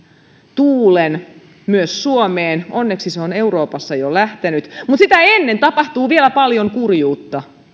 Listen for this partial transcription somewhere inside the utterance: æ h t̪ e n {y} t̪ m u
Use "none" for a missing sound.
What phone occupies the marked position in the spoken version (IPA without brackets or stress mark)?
y